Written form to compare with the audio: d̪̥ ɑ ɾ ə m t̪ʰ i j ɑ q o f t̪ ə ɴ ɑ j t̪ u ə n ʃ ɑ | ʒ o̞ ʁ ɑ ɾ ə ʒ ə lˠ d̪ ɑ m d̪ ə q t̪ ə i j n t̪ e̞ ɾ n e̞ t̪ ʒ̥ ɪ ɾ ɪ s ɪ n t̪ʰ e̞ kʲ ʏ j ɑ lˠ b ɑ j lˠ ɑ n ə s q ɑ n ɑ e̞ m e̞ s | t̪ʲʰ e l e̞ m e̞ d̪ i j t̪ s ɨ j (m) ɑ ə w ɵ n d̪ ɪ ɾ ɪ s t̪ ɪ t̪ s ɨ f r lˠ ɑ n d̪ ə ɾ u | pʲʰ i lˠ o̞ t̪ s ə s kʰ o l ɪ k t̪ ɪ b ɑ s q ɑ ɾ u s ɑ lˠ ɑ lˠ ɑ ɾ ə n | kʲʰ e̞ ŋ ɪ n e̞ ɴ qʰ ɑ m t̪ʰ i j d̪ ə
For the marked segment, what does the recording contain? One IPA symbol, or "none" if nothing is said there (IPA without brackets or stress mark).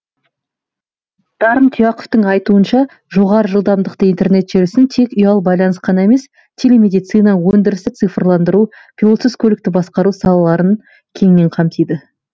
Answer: n